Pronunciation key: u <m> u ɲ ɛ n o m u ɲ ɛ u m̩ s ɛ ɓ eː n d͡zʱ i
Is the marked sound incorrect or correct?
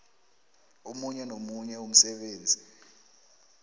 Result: correct